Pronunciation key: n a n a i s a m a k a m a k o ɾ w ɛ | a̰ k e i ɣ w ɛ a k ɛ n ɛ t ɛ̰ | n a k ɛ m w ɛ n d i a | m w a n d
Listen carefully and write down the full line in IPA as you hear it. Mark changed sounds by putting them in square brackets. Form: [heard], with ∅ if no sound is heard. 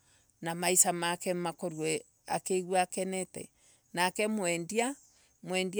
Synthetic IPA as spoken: n a [m] a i s a m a k [ɛ] m a k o ɾ w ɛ | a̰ k e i ɣ w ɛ a k ɛ n ɛ t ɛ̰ | n a k ɛ m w ɛ n d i a | m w [ɛ] n d